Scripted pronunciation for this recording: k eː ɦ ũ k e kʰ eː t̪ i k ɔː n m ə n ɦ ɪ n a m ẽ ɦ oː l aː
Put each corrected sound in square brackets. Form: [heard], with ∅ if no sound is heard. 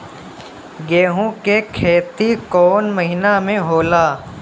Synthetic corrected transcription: [ɡ] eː ɦ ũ k e kʰ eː t̪ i k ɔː n m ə [∅] ɦ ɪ n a m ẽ ɦ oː l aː